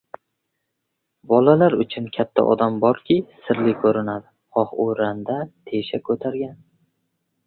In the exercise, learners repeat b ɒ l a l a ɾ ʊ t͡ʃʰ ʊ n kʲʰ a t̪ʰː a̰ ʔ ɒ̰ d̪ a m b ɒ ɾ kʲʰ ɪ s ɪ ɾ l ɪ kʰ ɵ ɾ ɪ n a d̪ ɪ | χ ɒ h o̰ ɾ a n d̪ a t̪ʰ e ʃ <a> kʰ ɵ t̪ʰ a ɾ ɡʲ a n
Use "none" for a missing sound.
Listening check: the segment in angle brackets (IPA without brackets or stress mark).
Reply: a